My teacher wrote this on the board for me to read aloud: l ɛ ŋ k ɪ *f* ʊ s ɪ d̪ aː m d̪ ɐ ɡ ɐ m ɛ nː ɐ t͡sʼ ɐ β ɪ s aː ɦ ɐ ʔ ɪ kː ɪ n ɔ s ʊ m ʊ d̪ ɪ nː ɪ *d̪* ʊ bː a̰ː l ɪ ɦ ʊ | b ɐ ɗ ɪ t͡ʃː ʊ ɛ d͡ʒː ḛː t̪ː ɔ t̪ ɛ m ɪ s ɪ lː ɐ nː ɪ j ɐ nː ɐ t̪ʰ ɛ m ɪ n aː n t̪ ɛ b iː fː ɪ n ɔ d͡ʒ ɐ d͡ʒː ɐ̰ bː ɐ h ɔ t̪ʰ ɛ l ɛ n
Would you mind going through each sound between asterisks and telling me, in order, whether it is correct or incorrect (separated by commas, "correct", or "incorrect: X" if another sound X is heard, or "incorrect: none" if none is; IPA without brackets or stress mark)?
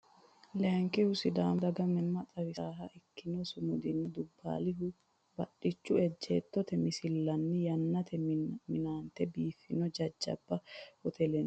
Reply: incorrect: h, correct